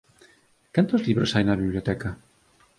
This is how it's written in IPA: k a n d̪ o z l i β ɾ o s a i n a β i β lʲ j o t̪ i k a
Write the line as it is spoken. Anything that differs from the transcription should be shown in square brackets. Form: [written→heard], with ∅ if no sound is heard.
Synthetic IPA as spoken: k a n [d̪→t̪] o z l i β ɾ o s a [i→j] n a β i β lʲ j o t̪ [i→ɛ] k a